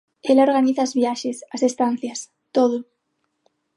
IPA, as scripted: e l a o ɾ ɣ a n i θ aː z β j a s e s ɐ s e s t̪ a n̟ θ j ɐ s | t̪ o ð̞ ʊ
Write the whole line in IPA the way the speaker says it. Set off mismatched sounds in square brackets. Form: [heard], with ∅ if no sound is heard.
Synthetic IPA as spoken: e l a o ɾ ɣ a n i θ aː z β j a [ʃ] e s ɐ s e s t̪ a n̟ θ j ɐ s | t̪ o ð̞ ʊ